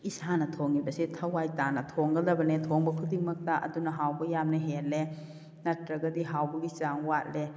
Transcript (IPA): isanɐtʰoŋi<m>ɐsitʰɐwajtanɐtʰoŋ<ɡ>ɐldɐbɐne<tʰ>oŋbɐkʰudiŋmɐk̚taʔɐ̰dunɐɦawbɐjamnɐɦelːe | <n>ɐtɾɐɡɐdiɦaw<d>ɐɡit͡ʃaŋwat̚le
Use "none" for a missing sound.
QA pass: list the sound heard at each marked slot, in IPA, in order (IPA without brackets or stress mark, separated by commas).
b, ɡ, tʰ, n, b